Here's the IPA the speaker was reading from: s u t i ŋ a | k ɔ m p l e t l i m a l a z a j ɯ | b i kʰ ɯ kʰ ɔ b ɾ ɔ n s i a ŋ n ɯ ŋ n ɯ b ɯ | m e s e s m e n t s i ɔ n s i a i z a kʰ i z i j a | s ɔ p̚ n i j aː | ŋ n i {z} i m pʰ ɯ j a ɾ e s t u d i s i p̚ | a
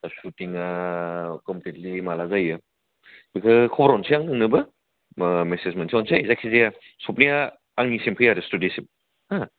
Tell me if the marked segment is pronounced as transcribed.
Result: no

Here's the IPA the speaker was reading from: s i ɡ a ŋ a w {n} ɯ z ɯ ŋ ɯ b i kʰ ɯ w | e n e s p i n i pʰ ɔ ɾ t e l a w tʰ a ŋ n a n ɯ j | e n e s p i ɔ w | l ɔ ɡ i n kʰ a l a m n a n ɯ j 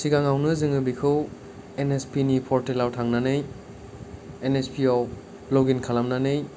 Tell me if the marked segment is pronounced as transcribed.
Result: yes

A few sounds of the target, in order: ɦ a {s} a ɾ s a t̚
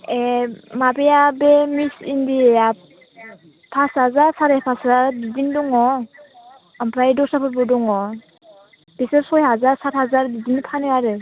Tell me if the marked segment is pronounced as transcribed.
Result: no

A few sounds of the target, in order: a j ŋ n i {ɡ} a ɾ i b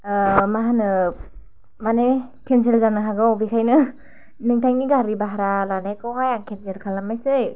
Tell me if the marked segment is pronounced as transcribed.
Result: yes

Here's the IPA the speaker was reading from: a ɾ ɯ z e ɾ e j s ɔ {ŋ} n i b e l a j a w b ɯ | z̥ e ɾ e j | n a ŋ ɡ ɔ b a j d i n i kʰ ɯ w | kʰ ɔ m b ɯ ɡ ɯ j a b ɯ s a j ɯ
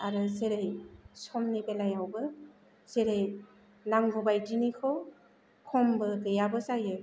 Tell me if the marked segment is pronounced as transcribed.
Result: no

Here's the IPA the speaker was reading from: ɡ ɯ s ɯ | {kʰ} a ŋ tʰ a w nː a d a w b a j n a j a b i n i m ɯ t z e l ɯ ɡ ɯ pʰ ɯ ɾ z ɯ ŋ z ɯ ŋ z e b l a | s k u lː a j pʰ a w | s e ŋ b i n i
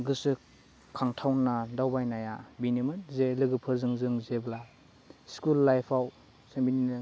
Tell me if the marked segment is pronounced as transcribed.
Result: yes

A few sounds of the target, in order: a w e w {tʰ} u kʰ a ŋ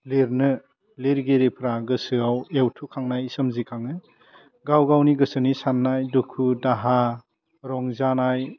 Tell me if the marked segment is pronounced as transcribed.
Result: yes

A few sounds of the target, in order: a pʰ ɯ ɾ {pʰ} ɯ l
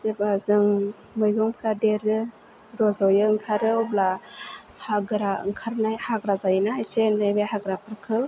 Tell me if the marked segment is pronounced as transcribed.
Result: no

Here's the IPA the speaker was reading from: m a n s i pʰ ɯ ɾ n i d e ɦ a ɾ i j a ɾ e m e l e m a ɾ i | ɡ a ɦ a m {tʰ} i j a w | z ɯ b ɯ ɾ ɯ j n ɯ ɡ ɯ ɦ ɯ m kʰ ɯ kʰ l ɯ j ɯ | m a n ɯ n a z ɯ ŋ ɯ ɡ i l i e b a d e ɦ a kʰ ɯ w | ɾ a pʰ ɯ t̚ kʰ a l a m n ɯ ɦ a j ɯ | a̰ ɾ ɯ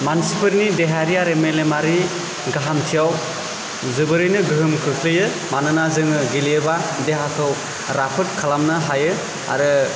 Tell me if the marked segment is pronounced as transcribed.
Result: yes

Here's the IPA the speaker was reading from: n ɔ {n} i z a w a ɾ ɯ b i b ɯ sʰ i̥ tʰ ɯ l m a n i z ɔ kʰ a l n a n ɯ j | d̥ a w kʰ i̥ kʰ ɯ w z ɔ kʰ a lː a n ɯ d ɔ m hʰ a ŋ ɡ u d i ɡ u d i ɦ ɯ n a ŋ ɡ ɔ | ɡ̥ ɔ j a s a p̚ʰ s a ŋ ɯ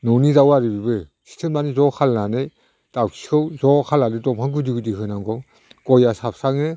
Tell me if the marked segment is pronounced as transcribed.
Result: yes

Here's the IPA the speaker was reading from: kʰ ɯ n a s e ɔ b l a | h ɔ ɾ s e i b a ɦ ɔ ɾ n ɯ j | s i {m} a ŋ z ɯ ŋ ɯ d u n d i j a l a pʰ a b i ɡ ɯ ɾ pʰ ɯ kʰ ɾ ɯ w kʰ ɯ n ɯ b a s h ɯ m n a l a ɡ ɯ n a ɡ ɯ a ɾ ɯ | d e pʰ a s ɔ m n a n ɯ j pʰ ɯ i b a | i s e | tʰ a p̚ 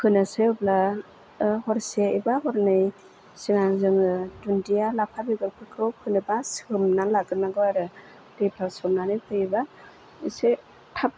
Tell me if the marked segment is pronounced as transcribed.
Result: no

